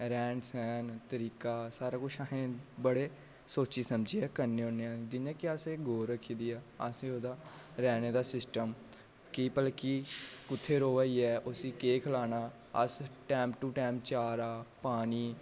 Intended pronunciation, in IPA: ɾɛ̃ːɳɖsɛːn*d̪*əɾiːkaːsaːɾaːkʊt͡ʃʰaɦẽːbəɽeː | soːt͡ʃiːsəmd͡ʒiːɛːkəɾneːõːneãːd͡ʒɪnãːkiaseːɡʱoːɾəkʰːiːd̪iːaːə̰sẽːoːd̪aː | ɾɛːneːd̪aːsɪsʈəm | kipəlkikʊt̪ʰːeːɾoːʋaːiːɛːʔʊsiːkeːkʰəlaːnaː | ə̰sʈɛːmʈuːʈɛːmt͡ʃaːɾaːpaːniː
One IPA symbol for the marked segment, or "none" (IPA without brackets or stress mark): t̪